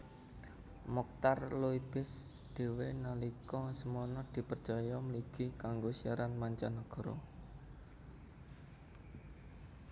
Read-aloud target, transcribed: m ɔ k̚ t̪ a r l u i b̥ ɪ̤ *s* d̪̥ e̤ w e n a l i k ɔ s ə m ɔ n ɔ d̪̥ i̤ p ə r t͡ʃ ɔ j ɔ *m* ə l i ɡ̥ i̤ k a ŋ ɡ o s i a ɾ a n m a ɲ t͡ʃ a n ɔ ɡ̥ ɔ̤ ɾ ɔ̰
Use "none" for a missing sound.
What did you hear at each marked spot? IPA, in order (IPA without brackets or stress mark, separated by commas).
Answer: s, m